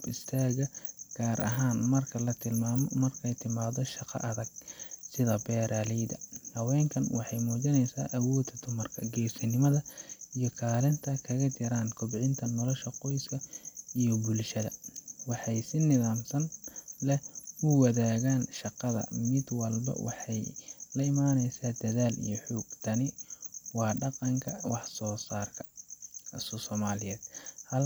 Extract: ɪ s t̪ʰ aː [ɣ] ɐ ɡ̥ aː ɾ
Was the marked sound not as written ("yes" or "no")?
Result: no